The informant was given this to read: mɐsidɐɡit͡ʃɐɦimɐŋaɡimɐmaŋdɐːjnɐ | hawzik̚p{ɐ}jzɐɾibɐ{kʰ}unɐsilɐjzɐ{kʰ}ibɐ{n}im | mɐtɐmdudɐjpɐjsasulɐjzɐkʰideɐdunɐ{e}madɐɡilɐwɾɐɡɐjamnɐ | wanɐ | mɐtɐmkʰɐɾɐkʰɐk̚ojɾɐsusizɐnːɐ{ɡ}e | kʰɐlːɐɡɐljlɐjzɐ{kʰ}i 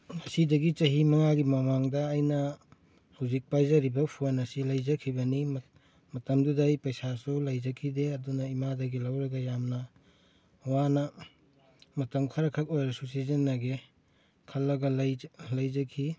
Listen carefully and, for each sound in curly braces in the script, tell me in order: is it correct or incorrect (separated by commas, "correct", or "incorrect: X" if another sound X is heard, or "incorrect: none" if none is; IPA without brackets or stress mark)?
incorrect: a, incorrect: pʰ, correct, correct, incorrect: i, correct, correct